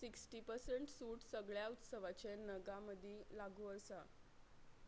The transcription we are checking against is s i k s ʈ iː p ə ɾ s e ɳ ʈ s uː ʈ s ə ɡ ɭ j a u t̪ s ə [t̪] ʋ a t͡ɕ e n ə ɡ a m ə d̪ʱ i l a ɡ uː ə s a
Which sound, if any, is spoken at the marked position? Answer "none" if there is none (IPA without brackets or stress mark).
none